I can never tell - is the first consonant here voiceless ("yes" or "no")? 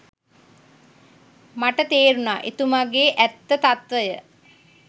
no